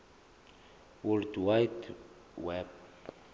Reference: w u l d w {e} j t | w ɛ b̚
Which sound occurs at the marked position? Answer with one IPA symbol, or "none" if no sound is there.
a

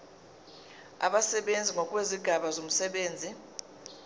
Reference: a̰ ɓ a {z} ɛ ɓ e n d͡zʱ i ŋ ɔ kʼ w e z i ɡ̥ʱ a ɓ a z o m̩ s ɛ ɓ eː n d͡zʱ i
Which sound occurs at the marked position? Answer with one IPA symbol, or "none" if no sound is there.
s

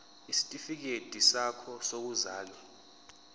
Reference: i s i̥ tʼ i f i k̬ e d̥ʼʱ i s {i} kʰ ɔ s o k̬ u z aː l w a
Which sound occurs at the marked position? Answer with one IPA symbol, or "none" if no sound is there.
a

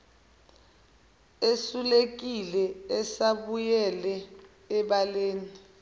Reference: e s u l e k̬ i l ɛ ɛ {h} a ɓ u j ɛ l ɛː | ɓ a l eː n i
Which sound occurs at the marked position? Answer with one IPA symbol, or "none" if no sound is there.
s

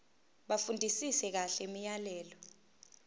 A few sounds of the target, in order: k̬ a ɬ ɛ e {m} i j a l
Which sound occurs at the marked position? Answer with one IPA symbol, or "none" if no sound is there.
m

